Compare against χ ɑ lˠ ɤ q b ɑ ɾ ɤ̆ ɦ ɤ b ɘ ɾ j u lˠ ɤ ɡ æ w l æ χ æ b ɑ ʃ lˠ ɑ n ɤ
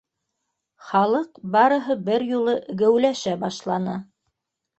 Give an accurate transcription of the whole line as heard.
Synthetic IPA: χ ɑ lˠ ɤ q b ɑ ɾ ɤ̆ ɦ ɤ b ɘ ɾ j u lˠ ɤ ɡ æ w l æ ʃ æ b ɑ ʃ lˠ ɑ n ɤ